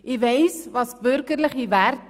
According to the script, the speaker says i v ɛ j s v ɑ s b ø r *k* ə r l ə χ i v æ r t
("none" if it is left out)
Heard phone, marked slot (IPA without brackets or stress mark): k